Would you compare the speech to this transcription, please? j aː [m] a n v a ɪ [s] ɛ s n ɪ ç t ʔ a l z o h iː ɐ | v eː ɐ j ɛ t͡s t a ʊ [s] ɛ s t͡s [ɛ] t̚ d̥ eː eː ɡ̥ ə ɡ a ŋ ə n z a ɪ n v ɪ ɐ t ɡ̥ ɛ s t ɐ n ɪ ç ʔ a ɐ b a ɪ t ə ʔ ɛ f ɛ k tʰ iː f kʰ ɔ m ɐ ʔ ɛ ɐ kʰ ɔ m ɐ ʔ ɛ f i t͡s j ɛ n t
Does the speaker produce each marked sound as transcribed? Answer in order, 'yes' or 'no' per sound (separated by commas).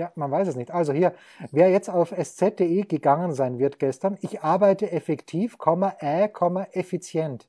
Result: yes, yes, no, yes